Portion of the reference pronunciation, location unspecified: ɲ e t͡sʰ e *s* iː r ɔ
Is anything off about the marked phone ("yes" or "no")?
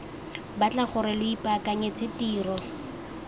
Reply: yes